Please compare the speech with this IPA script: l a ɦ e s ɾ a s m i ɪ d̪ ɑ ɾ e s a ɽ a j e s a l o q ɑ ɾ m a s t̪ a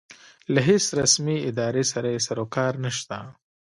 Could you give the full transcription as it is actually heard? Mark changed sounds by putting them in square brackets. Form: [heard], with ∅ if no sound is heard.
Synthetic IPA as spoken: l a ɦ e s ɾ a s m i ɪ d̪ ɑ ɾ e s a [ɾ] a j e s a [ɾ] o [k] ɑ ɾ [n] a [ʃ] t̪ a